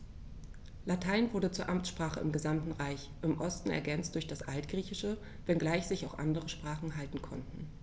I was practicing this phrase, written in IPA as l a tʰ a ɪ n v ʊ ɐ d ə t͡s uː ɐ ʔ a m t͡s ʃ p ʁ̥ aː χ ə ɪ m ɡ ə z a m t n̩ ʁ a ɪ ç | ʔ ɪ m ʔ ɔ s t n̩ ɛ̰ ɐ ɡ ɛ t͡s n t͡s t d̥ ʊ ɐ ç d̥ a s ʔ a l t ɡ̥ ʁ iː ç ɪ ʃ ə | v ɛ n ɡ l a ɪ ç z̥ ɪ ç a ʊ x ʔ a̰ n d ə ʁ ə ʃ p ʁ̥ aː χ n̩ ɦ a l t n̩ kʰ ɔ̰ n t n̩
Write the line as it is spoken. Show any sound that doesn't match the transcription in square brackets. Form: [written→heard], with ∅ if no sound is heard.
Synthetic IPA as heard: l a tʰ a ɪ n v ʊ ɐ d ə t͡s uː ɐ ʔ a m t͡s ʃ p ʁ̥ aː χ ə ɪ m ɡ ə z a m t n̩ ʁ a ɪ ç | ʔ ɪ m ʔ ɔ s t n̩ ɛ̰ ɐ ɡ ɛ [t͡s→∅] n t͡s t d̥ ʊ ɐ ç d̥ a s ʔ a l t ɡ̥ ʁ iː ç ɪ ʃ ə | v ɛ n ɡ l a ɪ ç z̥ ɪ ç a ʊ x ʔ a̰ n d ə ʁ ə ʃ p ʁ̥ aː χ n̩ ɦ a l t n̩ kʰ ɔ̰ n t n̩